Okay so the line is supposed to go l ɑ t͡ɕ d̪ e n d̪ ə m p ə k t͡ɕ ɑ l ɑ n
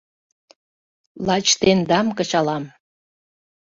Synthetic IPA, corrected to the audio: l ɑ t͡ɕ t̪ e n d̪ ɑ m k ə t͡ɕ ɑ l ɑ m